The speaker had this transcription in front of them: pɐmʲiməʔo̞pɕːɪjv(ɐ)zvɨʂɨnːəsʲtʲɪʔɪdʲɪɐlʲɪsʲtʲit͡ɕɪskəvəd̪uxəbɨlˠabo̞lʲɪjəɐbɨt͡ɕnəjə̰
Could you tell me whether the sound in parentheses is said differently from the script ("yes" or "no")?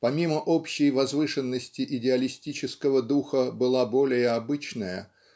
no